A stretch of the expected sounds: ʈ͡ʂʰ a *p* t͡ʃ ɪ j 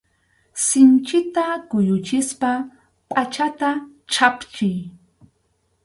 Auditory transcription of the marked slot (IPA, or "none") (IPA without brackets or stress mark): p